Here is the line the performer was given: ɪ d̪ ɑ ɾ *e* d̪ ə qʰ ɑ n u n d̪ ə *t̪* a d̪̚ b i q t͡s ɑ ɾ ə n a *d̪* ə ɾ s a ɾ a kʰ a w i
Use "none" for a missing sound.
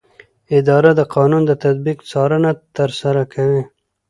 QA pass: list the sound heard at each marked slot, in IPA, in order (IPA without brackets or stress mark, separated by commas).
a, t̪, t̪